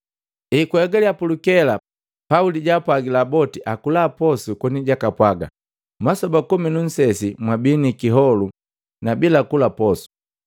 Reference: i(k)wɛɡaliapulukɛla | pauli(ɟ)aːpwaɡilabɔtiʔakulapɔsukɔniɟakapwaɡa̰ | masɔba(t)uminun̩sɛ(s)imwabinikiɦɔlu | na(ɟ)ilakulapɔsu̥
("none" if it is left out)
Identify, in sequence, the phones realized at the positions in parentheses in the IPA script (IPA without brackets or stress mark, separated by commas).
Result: k, ɟ, k, s, b